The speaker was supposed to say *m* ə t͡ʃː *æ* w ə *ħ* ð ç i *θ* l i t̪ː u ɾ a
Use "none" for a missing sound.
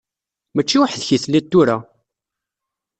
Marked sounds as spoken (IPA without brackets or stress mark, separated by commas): m, i, ħ, θ